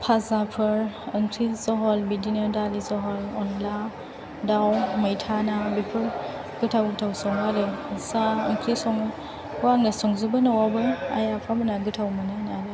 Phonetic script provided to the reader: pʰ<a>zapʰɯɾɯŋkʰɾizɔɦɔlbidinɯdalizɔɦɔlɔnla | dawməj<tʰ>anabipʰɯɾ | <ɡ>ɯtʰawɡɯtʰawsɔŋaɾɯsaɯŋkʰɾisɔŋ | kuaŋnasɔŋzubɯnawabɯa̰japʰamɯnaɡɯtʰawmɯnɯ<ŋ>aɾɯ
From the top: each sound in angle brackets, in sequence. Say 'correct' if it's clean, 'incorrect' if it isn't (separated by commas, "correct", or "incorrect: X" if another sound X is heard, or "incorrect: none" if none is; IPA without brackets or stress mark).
correct, correct, correct, incorrect: n